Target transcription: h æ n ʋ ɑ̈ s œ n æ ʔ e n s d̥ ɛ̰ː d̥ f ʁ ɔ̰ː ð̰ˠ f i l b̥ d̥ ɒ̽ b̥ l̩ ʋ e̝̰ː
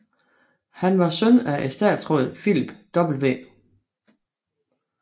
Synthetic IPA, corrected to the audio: h æ n ʋ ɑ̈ s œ n æ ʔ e s d̥ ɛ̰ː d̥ s ʁ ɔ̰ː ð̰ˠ f i l b̥ d̥ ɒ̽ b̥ l̩ ʋ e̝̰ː